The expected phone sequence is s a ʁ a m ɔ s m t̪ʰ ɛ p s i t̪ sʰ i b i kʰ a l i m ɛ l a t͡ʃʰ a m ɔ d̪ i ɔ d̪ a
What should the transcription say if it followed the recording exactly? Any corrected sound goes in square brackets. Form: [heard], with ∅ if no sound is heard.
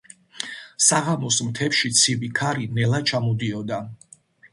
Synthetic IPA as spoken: s a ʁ a m ɔ s m t̪ʰ ɛ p [ʃ] i t̪ sʰ i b i kʰ a [ɾ] i [n] ɛ l a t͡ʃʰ a m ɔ d̪ i ɔ d̪ a